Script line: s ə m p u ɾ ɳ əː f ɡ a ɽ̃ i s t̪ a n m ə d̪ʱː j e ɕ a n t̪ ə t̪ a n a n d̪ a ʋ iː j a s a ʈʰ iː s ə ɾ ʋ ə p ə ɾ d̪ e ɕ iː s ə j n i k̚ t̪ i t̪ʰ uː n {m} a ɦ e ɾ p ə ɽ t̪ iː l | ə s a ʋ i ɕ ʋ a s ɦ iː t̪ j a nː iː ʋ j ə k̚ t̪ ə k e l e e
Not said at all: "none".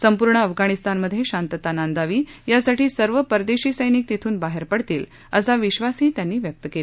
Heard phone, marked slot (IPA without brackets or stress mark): b